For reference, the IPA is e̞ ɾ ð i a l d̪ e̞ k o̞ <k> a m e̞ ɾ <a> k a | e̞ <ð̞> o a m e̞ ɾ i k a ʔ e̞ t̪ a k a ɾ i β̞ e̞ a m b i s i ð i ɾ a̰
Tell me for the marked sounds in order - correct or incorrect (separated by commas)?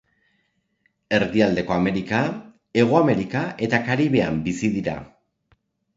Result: incorrect, incorrect, incorrect